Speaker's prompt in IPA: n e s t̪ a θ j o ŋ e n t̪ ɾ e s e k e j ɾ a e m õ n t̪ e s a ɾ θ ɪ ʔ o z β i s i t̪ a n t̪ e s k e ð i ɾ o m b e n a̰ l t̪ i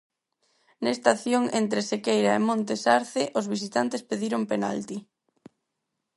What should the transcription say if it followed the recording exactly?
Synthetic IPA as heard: n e s t̪ a θ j o ŋ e n t̪ ɾ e s e k e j ɾ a e m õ n t̪ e s a ɾ θ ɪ ʔ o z β i s i t̪ a n t̪ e s p e ð i ɾ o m p e n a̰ l t̪ i